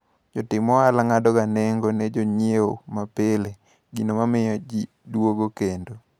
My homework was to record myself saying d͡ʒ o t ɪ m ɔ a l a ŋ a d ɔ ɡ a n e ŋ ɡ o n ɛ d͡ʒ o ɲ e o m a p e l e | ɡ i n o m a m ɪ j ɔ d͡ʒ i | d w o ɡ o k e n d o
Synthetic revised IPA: d͡ʒ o t ɪ m ɔ a l a ŋ a d ɔ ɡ a n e ŋ ɡ o n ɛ d͡ʒ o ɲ e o m a p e l e | ɡ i n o m a m ɪ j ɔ d͡ʒ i | d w o ɡ o k e n d o